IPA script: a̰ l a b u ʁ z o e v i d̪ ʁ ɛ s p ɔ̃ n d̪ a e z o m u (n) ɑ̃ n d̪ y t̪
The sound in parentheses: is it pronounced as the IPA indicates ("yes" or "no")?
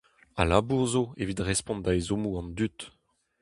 no